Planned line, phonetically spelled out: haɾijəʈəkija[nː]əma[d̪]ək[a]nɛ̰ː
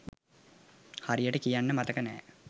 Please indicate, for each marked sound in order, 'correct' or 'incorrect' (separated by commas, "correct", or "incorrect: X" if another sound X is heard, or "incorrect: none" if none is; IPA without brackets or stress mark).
correct, incorrect: t̪, incorrect: ə